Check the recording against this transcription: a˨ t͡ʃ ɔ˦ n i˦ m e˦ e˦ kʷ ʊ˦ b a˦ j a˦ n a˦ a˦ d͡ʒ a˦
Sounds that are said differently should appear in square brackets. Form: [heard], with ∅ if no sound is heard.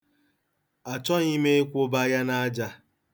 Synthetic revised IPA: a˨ t͡ʃ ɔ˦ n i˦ m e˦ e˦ kʷ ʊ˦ b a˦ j a˦ n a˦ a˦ d͡ʒ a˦